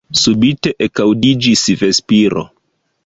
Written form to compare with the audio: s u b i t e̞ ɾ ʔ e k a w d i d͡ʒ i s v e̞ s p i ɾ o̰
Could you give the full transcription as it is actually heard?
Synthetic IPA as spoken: s u b i t e̞ ʔ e k a w d i d͡ʒ i s v e̞ s p i ɾ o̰